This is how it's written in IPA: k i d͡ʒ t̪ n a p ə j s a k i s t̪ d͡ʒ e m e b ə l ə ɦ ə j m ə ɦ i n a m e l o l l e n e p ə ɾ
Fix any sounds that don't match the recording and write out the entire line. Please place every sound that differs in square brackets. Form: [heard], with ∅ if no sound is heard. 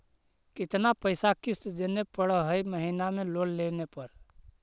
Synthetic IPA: k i [∅] t̪ n a p ə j s a k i s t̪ d͡ʒ e [n] e [p] ə [ɽ] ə ɦ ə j m ə ɦ i n a m e l o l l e n e p ə ɾ